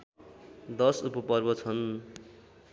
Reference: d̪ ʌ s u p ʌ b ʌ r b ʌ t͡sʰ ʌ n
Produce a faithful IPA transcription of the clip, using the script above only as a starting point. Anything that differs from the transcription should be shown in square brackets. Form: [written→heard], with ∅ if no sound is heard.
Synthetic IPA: d̪ ʌ s u p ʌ [b→p] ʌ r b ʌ t͡sʰ ʌ n